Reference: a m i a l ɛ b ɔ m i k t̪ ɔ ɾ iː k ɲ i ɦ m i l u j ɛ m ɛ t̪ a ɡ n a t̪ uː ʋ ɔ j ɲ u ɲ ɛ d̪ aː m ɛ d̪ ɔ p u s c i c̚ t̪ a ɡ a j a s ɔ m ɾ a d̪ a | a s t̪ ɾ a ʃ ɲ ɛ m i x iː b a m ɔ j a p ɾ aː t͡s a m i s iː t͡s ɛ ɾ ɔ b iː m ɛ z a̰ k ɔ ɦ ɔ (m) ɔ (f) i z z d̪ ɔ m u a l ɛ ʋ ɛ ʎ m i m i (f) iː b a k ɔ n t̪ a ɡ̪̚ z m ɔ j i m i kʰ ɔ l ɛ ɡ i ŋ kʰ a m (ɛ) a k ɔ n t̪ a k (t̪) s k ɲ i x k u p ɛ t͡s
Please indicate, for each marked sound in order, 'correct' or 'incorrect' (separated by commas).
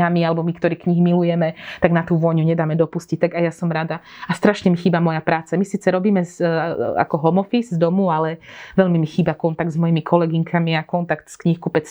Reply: correct, correct, incorrect, incorrect, correct